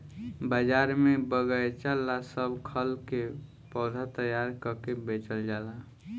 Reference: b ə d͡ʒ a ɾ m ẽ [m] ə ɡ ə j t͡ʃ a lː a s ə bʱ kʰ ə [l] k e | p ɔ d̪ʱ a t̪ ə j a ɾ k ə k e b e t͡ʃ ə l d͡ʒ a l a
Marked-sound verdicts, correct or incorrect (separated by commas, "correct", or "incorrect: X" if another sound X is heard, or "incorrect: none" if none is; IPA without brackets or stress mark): incorrect: b, correct